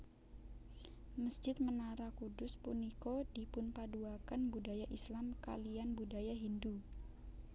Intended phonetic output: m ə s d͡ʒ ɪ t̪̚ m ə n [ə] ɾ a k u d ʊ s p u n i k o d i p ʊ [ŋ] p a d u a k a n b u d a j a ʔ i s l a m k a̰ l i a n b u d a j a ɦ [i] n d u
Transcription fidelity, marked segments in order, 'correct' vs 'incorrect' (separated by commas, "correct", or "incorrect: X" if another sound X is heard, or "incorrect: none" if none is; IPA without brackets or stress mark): incorrect: a, incorrect: n, correct